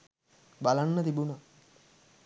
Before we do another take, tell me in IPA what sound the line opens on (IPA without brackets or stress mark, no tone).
b